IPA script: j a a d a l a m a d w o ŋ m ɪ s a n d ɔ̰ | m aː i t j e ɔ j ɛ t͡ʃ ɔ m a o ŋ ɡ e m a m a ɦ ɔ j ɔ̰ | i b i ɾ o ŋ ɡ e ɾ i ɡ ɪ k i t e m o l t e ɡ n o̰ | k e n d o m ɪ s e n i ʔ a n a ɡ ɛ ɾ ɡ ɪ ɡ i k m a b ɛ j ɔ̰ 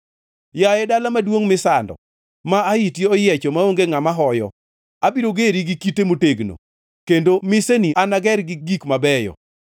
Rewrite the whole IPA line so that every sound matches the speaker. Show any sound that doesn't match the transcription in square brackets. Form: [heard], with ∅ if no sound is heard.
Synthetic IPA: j a [ɛ] d a l a m a d w o ŋ m ɪ s a n d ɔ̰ | m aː i t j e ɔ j ɛ t͡ʃ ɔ m a o ŋ ɡ e [ŋ] a m a ɦ ɔ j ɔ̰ | [a] b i ɾ o [∅] ɡ e ɾ i ɡ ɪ k i t e m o [∅] t e ɡ n o̰ | k e n d o m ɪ s e n i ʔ a n a ɡ ɛ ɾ ɡ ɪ ɡ i k m a b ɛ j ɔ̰